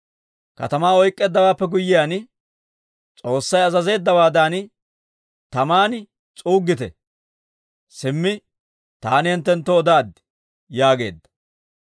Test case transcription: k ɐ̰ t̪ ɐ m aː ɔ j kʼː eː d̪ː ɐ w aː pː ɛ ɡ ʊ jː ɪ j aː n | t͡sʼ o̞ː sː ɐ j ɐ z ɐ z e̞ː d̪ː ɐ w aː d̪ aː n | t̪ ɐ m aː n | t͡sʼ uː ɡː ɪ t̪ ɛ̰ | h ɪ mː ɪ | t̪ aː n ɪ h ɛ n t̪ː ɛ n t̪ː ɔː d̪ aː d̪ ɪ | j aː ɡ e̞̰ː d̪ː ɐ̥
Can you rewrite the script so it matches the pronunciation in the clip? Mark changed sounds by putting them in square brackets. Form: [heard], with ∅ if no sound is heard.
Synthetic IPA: k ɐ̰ t̪ ɐ m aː ɔ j kʼː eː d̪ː ɐ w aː pː ɛ ɡ ʊ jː ɪ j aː n | t͡sʼ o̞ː sː ɐ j ɐ z ɐ z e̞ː d̪ː ɐ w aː d̪ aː n | t̪ ɐ m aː n | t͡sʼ uː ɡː ɪ t̪ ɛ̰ | [s] ɪ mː ɪ | t̪ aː n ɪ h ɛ n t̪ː ɛ n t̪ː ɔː d̪ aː d̪ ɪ | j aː ɡ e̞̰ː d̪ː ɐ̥